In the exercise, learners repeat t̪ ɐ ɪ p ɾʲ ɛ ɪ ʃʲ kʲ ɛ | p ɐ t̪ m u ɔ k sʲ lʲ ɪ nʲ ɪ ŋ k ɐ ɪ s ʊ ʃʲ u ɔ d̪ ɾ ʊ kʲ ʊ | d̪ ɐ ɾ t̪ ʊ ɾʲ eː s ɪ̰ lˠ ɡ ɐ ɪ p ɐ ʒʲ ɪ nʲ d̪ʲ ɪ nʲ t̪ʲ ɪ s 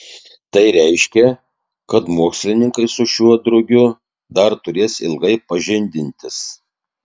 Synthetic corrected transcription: t̪ ɐ ɪ ɾʲ ɛ ɪ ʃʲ kʲ ɛ | k ɐ t̪ m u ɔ k sʲ lʲ ɪ nʲ ɪ ŋ k ɐ ɪ s ʊ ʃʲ u ɔ d̪ ɾ ʊ ɡʲ ʊ | d̪ ɐ ɾ t̪ ʊ ɾʲ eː s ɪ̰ lˠ ɡ ɐ ɪ p ɐ ʒʲ ɪ nʲ d̪ʲ ɪ nʲ t̪ʲ ɪ s